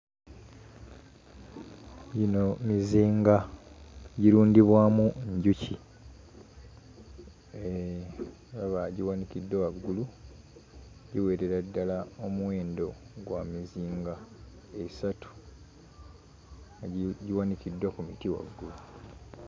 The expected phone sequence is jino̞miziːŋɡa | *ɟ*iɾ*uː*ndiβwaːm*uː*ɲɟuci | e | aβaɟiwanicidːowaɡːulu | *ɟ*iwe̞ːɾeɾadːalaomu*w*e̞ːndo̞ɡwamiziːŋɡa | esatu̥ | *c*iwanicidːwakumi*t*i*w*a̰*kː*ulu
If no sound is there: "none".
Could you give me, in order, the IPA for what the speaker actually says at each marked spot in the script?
ɟ, uː, u, ɟ, w, ɟ, t, w, ɡː

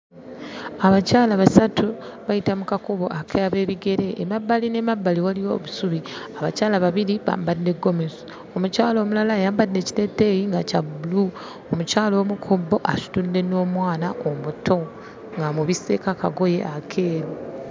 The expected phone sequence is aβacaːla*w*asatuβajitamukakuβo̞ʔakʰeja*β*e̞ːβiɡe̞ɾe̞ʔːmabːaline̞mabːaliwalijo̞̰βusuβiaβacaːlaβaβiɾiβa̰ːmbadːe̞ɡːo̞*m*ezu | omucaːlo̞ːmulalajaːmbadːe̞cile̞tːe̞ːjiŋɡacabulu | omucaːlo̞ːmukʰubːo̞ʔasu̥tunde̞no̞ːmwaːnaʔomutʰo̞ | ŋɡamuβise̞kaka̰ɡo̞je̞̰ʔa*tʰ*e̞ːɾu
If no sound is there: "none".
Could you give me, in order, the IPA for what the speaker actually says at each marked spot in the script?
β, β, m, kʰ

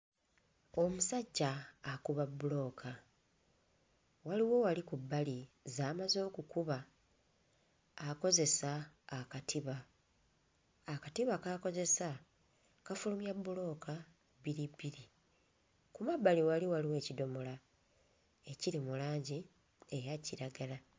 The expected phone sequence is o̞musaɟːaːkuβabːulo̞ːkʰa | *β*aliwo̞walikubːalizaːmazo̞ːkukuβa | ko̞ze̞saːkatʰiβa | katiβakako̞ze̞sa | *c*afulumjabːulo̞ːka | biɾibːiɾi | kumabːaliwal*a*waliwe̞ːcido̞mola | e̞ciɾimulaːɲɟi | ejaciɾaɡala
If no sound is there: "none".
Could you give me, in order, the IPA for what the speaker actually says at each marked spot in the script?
w, k, i

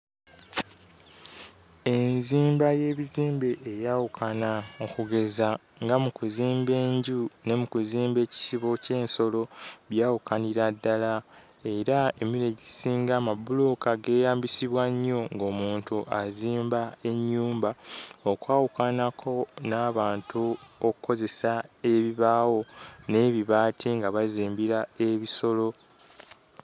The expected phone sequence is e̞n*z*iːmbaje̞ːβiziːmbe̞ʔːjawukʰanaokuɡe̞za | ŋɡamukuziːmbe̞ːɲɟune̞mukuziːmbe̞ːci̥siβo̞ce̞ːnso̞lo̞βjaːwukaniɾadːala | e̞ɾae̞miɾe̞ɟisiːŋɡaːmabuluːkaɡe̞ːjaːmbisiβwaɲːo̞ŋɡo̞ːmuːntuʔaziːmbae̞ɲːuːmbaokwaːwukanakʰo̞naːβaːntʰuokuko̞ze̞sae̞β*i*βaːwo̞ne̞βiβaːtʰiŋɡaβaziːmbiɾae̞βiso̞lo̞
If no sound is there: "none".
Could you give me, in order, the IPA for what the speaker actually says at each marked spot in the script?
z, i

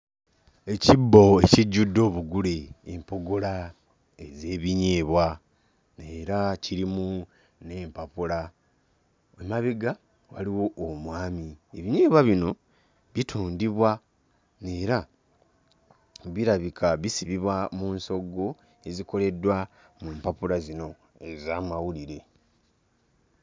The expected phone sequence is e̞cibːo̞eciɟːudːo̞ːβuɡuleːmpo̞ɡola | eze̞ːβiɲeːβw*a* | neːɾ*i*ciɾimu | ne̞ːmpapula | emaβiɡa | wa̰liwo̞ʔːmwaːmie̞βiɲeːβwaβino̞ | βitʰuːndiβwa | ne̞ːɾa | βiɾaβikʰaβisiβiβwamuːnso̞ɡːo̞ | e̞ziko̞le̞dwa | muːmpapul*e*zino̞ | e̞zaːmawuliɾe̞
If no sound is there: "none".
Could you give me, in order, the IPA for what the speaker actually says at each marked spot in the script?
a, a, a

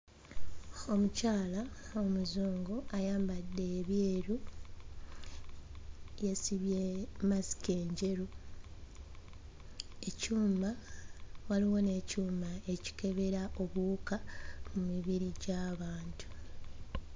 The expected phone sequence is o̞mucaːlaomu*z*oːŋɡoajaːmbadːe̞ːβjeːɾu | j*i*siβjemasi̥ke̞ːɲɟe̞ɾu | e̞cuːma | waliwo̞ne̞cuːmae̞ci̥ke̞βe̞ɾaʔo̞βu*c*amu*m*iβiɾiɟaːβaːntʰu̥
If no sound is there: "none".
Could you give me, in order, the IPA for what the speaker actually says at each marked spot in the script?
z, e, k, m

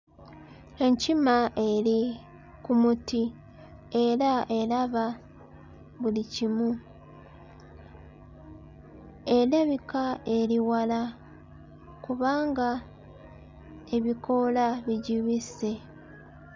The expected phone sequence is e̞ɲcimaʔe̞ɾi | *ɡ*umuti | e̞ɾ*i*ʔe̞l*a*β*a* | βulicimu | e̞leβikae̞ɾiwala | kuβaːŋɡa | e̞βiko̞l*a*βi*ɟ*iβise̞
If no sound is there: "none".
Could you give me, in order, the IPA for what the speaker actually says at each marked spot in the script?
k, a, a, a, a, ɟ

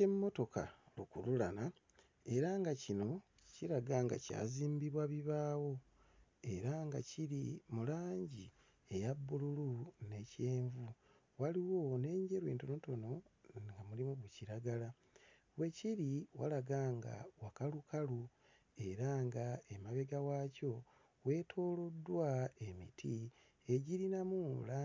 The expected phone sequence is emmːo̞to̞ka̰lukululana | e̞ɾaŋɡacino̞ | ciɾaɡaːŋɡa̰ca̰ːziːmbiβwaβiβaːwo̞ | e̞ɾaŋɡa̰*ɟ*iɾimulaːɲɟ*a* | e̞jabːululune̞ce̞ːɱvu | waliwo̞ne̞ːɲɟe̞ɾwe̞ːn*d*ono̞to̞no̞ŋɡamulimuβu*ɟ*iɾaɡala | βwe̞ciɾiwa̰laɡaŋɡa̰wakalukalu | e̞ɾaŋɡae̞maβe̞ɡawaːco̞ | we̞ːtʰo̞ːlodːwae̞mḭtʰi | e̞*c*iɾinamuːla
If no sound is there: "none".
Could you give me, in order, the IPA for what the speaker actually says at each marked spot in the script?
c, i, t, c, ɟ

